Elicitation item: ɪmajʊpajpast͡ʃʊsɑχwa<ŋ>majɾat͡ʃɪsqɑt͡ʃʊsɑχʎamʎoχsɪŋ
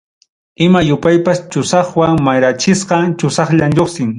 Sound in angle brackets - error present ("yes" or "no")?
no